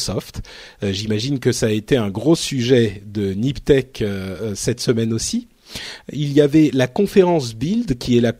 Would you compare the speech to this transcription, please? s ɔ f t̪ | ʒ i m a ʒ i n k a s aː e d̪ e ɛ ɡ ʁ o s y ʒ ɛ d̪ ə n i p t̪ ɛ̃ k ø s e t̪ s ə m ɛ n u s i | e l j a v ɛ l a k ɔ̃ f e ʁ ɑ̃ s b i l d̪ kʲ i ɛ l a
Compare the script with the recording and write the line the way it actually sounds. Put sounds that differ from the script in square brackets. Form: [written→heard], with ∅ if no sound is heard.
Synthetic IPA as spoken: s ɔ f t̪ | ʒ i m a ʒ i n k [a→ə] s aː e [d̪→t̪] e [ɛ→ɛ̃] ɡ ʁ o s y ʒ ɛ d̪ ə n i p t̪ [ɛ̃→ɛ] k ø s [e→ɛ] t̪ s ə m ɛ n [u→o] s i | [e→i] l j a v ɛ l a k ɔ̃ f e ʁ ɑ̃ s b i l d̪ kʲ i ɛ l a